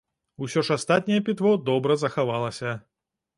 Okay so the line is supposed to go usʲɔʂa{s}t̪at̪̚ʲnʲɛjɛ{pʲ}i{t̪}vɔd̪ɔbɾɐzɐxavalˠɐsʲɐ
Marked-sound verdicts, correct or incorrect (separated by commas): correct, correct, correct